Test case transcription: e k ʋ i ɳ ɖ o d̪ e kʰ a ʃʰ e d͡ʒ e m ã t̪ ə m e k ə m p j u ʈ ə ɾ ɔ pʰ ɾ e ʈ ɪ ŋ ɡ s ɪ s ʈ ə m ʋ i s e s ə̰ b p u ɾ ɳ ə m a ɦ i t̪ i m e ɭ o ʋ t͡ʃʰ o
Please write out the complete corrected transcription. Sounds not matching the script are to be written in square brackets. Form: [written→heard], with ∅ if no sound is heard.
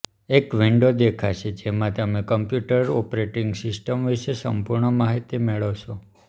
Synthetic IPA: e k ʋ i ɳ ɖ o d̪ e kʰ a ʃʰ e d͡ʒ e m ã t̪ ə m e k ə m p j u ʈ ə ɾ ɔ [pʰ→p] ɾ e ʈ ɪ ŋ ɡ s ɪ s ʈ ə m ʋ i [s→ʃ] e s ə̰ [b→m] p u ɾ ɳ ə m a ɦ i t̪ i m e ɭ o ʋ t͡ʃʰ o

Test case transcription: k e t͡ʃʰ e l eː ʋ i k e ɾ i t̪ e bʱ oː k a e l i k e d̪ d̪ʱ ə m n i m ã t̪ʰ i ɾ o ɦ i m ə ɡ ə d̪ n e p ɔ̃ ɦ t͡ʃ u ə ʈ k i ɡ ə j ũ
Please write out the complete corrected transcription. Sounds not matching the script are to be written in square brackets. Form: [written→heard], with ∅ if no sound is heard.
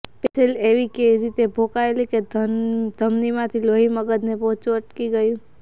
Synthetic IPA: [k→p] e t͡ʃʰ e l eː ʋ i k e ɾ i t̪ e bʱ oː k a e l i k e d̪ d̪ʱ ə m n i m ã t̪ʰ i [ɾ→l] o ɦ i m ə ɡ ə d̪ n e p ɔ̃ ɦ t͡ʃ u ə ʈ k i ɡ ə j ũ

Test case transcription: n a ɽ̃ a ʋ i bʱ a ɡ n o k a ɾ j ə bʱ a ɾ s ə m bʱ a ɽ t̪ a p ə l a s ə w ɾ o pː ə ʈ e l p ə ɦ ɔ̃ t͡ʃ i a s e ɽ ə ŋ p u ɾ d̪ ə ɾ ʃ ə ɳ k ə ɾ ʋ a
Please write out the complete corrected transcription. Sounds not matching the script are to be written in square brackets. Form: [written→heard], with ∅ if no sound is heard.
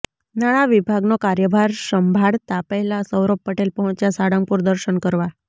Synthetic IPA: n a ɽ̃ a ʋ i bʱ a ɡ n o k a ɾ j ə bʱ a ɾ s ə m bʱ a ɽ t̪ a p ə l a s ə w ɾ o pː ə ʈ e l p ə ɦ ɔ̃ t͡ʃ [i→j] a s [e→a] ɽ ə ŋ p u ɾ d̪ ə ɾ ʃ ə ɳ k ə ɾ ʋ a

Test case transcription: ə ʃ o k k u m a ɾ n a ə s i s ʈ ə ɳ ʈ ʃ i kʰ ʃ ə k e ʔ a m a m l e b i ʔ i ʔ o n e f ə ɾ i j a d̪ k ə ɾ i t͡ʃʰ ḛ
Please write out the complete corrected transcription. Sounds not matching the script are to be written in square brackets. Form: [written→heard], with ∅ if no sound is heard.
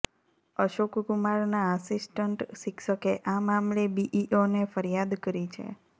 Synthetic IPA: ə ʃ o k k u m a ɾ n a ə s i s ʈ ə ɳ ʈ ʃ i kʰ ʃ ə k e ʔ a m a m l e b i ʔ i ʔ o n e f ə ɾ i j a d̪ k ə ɾ i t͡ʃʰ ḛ

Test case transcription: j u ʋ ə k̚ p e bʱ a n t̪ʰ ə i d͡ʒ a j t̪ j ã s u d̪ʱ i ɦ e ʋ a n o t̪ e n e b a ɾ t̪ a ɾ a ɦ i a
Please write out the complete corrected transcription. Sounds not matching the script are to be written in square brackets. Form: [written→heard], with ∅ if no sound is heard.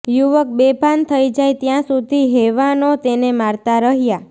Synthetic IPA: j u ʋ ə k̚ [p→b] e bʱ a n t̪ʰ ə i d͡ʒ a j t̪ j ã s u d̪ʱ i ɦ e ʋ a n o t̪ e n e [b→m] a ɾ t̪ a ɾ [a→ə] ɦ [i→j] a

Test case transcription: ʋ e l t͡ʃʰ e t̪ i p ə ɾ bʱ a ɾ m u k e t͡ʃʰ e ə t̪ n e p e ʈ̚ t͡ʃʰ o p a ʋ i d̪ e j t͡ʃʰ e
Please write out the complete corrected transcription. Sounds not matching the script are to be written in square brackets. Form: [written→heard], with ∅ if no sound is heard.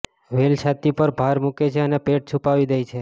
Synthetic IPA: ʋ e l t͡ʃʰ [e→a] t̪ i p ə ɾ bʱ a ɾ m u k e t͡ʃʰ e ə [t̪→∅] n e p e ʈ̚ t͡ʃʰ [o→u] p a ʋ i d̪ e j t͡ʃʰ e

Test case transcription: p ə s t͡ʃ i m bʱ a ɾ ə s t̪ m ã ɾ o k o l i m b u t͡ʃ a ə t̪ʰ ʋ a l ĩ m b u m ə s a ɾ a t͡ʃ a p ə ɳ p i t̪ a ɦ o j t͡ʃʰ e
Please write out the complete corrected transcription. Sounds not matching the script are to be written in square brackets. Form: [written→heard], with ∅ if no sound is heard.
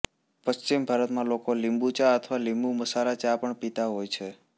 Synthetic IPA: p ə s t͡ʃ i m bʱ a ɾ ə [s→∅] t̪ m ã [ɾ→l] o k o l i m b u t͡ʃ a ə t̪ʰ ʋ a l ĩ m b u m ə s a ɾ a t͡ʃ a p ə ɳ p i t̪ a ɦ o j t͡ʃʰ e

